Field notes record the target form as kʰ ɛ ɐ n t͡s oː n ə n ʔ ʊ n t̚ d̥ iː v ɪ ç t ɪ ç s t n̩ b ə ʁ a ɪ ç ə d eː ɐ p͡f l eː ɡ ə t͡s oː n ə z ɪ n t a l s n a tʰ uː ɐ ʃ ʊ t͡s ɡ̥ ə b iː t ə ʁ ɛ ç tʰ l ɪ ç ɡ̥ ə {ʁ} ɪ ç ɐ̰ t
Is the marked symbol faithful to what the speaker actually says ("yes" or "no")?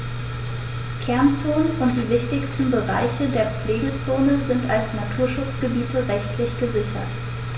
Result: no